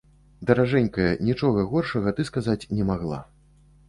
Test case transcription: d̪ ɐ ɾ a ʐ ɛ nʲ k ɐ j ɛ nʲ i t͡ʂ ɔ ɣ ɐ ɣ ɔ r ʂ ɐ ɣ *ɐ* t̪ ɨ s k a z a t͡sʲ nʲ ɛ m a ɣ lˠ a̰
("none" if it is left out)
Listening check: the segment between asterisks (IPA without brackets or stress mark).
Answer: ɐ